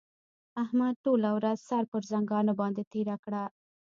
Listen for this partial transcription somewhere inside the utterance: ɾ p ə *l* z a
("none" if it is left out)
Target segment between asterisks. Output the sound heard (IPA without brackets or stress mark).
ɾ